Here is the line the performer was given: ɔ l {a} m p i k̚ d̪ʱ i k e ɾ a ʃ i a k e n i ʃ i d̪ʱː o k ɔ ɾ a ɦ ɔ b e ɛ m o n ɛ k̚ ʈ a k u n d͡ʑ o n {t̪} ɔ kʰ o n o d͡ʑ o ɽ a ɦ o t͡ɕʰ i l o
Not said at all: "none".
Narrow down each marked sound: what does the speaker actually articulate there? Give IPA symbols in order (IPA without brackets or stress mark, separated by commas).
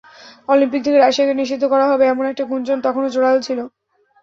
i, t̪